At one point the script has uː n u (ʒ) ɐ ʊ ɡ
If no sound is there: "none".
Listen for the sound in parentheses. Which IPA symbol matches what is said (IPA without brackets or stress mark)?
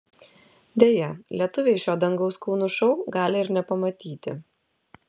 ʃ